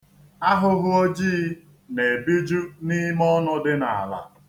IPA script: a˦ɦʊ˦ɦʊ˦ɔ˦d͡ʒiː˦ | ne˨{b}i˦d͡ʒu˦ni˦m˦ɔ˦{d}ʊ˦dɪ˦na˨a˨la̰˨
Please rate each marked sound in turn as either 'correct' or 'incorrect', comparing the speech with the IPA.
correct, incorrect

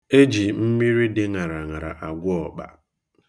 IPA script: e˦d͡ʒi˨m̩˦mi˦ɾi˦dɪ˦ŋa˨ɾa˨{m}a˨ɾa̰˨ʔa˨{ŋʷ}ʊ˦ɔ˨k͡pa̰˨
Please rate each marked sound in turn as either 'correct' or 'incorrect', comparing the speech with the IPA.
incorrect, incorrect

